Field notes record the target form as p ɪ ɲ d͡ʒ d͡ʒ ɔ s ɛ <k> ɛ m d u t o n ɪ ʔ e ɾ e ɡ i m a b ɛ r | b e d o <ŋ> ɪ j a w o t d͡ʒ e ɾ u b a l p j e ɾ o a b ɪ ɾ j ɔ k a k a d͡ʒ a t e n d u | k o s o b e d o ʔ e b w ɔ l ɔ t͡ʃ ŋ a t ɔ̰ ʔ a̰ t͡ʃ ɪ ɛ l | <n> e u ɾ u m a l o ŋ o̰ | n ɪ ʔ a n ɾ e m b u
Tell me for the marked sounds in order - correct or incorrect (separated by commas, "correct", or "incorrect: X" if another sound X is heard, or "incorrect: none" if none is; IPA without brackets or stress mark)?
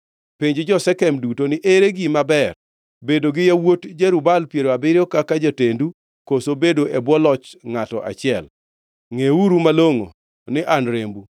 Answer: correct, incorrect: ɡ, incorrect: ŋ